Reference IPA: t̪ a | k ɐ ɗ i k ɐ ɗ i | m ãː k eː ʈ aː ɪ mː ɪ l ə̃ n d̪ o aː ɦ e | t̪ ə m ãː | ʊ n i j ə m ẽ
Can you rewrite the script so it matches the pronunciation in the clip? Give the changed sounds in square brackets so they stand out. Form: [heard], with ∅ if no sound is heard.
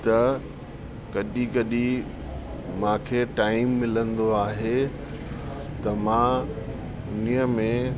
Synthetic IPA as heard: t̪ [ɐ] | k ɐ ɗ i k ɐ ɗ i | m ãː [kʰ] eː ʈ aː ɪ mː ɪ l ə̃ n d̪ o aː ɦ e | t̪ [ɐ] m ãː | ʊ n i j ə m ẽ